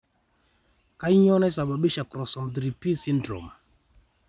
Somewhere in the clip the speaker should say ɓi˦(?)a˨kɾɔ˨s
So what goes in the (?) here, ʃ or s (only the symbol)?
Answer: ʃ